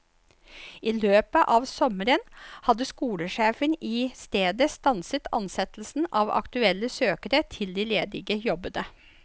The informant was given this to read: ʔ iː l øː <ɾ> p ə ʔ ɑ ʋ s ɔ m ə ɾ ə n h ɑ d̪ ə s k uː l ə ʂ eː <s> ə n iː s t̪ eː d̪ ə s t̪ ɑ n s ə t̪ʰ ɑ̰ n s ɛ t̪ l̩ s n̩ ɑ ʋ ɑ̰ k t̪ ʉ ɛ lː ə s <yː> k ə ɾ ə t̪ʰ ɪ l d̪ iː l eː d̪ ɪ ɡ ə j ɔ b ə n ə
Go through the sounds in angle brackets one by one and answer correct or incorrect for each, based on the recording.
incorrect: none, incorrect: f, incorrect: øː

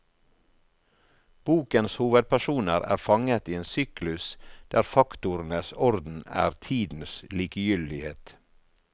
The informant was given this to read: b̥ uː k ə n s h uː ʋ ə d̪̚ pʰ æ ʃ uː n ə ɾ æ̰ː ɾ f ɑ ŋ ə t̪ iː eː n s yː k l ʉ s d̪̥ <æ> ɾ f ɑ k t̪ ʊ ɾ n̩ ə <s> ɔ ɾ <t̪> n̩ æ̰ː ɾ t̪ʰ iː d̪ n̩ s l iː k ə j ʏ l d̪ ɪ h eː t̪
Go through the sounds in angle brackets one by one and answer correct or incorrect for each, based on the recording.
incorrect: æː, correct, incorrect: d̪

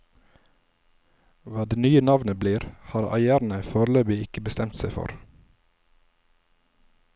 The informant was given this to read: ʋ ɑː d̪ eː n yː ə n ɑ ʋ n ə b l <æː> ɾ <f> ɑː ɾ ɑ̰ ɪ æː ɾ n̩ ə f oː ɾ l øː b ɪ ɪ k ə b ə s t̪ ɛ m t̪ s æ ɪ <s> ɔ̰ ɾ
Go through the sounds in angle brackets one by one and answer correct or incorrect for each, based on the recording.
incorrect: iː, incorrect: h, incorrect: f

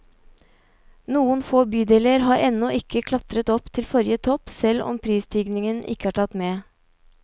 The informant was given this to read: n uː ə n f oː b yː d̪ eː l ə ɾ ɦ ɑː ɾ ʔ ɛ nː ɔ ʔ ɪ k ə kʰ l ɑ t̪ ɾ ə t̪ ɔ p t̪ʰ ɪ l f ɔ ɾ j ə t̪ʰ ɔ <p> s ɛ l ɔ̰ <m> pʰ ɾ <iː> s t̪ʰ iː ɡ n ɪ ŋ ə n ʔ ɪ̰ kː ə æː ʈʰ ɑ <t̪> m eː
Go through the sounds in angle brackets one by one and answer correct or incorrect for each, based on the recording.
correct, correct, correct, correct

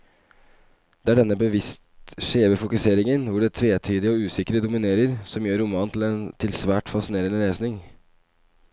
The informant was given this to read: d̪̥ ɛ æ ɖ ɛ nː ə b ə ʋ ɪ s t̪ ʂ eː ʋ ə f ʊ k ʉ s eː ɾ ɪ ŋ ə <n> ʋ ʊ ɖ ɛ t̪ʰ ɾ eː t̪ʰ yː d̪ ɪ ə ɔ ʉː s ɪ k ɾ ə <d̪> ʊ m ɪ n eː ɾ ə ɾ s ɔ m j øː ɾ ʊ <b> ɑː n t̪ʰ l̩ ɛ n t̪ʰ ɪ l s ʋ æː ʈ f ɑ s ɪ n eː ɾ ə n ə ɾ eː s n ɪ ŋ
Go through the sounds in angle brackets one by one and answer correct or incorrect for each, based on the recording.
correct, correct, incorrect: m

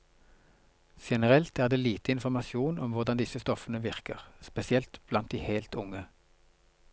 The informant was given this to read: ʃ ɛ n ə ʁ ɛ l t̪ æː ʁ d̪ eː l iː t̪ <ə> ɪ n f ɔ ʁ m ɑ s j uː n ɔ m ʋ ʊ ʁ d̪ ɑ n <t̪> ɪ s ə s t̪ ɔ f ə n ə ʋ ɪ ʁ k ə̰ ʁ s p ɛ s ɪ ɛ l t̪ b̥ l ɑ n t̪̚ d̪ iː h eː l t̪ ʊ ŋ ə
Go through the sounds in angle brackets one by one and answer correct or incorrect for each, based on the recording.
correct, incorrect: d̪

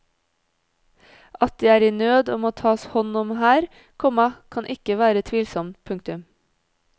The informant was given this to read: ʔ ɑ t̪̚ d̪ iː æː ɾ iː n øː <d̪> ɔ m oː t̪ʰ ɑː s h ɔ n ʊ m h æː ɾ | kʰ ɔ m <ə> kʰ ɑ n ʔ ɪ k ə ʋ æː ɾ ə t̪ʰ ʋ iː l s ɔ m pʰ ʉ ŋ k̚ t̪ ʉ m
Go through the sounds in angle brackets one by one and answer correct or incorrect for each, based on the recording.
correct, incorrect: ɑ

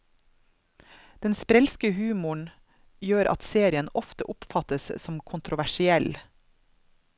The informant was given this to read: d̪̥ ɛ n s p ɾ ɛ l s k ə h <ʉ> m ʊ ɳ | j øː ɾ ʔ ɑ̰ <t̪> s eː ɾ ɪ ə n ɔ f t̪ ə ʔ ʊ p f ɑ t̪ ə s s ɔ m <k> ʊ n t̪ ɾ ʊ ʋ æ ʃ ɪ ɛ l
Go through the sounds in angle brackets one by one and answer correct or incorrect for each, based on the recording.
incorrect: ʉː, correct, incorrect: kʰ

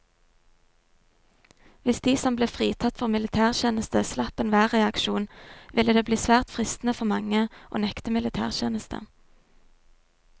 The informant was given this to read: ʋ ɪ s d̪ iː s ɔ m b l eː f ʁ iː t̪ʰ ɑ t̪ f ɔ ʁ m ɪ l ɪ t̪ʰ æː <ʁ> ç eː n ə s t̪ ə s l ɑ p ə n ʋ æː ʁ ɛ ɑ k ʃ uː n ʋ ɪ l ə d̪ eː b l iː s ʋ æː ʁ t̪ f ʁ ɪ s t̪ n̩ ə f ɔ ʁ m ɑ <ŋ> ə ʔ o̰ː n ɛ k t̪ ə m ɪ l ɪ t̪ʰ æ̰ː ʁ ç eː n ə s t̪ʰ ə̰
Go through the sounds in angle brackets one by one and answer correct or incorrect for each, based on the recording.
correct, correct

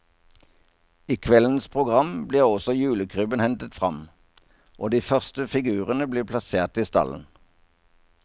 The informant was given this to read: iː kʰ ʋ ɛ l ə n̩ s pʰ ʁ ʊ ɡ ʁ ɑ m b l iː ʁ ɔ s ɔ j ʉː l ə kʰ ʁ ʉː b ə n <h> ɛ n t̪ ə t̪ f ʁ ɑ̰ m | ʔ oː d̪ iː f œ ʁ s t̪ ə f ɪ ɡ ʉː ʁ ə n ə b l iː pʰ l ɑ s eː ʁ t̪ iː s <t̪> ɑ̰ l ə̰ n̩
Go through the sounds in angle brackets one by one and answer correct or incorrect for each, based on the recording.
correct, correct

